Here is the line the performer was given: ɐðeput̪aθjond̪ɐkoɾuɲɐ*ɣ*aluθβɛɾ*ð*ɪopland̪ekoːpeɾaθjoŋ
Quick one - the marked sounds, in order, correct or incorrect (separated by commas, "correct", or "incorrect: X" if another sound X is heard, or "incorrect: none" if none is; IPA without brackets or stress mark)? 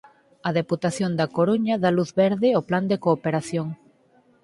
incorrect: ð, correct